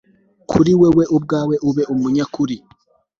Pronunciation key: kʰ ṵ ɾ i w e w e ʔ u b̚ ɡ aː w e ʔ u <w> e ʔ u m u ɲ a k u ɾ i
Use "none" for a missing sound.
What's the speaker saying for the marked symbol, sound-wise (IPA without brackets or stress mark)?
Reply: β